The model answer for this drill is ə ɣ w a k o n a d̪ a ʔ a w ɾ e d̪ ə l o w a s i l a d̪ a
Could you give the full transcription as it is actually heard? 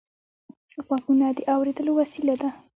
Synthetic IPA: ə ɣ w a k u n a d̪ ə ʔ a w ɾ e d̪ ə l o w a s i l a d̪ a